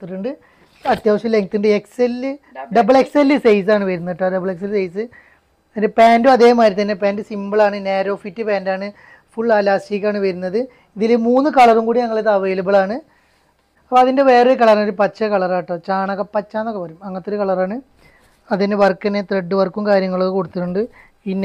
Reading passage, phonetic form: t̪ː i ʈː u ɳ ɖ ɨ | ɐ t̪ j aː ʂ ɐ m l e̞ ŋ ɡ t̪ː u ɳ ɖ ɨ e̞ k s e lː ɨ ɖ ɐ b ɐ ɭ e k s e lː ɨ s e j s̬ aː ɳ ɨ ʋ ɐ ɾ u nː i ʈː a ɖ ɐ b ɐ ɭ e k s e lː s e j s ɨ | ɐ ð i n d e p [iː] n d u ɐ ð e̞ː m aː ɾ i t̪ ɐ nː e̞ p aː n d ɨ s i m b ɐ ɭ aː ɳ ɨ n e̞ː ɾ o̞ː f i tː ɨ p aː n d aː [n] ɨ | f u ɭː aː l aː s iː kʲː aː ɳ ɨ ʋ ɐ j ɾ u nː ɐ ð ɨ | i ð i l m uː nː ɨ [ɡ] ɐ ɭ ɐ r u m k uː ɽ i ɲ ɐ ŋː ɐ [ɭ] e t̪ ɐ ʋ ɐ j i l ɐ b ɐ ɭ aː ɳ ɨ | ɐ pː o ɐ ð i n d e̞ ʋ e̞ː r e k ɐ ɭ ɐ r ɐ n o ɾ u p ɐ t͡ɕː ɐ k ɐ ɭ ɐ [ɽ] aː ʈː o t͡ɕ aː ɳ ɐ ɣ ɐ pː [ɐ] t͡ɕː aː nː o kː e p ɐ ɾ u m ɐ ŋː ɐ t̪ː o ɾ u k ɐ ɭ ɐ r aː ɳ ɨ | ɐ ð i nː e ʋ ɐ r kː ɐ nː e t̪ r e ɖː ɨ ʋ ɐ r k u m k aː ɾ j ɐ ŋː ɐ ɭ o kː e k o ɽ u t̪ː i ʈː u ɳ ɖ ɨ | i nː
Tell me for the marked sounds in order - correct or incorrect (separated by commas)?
incorrect, incorrect, incorrect, correct, incorrect, correct